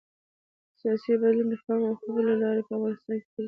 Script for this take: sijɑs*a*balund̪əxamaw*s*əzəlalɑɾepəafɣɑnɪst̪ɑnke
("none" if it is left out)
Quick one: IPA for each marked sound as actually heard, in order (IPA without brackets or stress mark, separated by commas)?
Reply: i, x